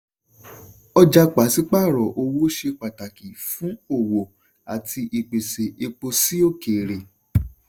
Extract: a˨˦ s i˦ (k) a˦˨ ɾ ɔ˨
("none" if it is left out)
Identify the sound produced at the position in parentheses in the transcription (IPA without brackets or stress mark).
k͡p